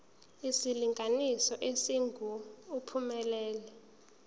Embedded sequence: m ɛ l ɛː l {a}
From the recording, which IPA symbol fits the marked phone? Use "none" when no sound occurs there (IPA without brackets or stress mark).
ɛ